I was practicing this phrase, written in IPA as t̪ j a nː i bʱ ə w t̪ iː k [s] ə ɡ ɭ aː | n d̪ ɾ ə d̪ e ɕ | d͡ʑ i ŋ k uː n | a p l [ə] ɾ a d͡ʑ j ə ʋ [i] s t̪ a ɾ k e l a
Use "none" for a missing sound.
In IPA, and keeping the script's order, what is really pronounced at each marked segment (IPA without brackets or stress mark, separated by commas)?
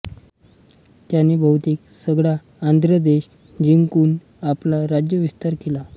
s, a, i